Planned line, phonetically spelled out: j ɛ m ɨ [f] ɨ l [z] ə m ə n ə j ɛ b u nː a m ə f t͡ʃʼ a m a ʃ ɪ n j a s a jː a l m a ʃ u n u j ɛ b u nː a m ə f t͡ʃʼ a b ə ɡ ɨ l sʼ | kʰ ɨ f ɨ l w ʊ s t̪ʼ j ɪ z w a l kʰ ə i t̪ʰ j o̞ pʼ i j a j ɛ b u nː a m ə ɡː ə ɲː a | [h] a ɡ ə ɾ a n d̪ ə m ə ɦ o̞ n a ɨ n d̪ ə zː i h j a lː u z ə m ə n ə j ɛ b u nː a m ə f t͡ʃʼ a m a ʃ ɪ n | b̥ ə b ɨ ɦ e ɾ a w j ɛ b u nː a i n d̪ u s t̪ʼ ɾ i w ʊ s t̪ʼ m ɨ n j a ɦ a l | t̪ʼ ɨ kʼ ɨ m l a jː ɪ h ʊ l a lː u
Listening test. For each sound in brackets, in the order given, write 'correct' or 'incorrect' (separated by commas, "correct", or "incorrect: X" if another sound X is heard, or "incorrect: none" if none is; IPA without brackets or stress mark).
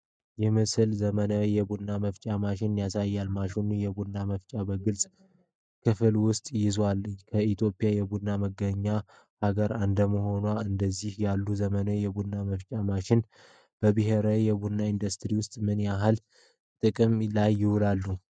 incorrect: s, correct, correct